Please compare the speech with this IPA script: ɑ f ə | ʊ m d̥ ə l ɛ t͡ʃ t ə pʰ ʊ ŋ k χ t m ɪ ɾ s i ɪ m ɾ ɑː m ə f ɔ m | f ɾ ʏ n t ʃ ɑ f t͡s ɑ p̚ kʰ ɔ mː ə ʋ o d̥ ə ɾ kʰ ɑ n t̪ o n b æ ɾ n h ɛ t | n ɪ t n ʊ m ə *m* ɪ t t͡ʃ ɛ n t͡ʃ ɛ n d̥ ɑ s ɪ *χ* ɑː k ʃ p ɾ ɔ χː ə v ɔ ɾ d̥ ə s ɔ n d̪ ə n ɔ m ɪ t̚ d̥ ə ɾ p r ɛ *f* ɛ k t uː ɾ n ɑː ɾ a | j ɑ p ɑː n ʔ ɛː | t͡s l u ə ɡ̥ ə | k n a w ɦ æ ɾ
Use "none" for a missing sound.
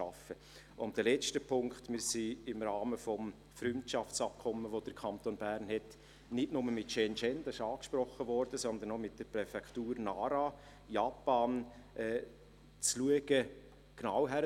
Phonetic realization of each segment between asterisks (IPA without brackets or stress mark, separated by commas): m, ʃ, f